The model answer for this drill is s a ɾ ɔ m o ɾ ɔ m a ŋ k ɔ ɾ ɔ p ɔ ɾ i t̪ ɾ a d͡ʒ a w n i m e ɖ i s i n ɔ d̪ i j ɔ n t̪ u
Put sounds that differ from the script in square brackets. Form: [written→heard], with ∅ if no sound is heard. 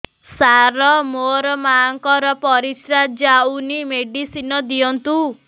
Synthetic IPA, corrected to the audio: s a ɾ ɔ m o ɾ ɔ m a ŋ k ɔ ɾ ɔ p ɔ ɾ i t̪ ɾ a d͡ʒ a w n i m e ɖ i s i n ɔ d̪ i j ɔ n t̪ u